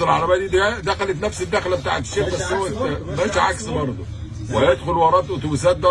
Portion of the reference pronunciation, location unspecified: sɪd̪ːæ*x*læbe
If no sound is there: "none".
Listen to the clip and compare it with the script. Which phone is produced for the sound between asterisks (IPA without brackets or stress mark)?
x